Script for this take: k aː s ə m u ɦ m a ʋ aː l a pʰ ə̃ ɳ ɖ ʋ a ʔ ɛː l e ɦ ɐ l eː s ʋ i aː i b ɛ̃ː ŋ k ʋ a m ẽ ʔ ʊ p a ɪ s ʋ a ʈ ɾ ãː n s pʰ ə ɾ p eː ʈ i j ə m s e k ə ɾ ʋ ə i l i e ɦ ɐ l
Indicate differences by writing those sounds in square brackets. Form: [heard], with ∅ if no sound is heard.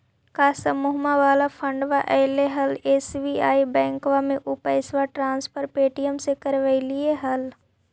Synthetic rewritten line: k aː s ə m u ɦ m a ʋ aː l a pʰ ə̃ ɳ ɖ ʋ a ʔ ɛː l e ɦ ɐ l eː s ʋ i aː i b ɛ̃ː ŋ k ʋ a m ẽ ʔ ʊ p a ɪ s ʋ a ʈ ɾ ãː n s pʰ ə ɾ p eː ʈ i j ə m s e k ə ɾ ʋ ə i l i e ɦ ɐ l